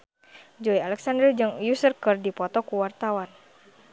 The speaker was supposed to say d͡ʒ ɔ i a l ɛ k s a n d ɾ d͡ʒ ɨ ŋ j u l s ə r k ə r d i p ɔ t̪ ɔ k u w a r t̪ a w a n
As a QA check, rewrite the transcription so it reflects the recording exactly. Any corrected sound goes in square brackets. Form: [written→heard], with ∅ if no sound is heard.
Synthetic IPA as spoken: d͡ʒ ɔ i a l ɛ k s a n d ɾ d͡ʒ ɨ ŋ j u [l→∅] s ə r k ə r d i p ɔ t̪ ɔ k u w a r t̪ a w a n